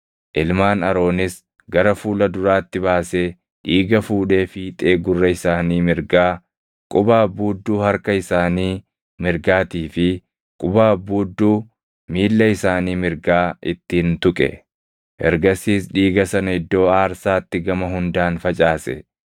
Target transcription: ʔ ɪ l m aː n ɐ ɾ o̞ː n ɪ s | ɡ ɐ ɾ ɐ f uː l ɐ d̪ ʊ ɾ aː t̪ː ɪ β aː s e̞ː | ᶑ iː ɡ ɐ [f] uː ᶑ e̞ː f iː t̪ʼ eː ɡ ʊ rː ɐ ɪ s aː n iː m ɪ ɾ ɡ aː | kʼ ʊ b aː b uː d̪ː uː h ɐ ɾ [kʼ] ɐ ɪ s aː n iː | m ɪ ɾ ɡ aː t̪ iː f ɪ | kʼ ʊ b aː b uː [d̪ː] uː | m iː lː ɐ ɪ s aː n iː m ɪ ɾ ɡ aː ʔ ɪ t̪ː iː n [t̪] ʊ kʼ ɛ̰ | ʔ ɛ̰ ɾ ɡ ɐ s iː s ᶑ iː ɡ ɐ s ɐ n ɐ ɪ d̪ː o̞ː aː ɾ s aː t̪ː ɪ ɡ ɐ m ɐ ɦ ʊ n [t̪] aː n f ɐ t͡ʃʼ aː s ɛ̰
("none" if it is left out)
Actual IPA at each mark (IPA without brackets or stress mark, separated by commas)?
f, k, d̪ː, t̪, d̪